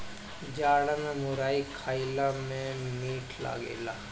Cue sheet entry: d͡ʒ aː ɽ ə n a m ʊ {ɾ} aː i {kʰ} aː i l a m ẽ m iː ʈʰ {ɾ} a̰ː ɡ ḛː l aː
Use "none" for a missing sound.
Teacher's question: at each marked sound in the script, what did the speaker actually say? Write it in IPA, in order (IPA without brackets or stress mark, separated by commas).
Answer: ɾ, kʰ, l